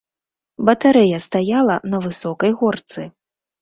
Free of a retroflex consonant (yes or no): yes